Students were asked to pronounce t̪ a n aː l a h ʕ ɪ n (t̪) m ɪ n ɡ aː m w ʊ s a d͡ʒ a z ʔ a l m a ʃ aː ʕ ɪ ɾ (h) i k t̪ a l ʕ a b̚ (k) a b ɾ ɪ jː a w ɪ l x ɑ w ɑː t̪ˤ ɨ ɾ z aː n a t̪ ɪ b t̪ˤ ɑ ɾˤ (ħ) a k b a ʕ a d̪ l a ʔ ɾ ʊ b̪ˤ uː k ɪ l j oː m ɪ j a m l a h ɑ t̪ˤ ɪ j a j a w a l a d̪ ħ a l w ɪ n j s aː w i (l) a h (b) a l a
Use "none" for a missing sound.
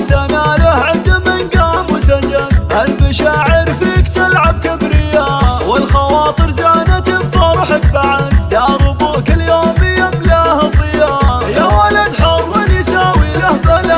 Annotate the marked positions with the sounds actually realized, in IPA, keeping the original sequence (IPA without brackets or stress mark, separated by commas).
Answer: d̪, f, k, ħ, l, b